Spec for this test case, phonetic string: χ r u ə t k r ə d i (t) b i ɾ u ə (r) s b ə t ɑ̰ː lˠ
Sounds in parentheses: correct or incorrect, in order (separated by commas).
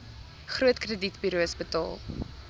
correct, incorrect